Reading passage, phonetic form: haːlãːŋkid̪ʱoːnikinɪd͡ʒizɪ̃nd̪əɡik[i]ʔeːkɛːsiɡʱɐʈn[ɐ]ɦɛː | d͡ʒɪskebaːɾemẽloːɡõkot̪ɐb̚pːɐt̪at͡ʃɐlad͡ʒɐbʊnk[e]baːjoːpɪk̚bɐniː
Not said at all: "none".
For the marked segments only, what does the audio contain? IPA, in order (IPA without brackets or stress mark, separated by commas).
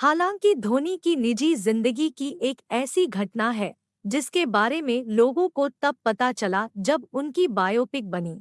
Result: i, a, i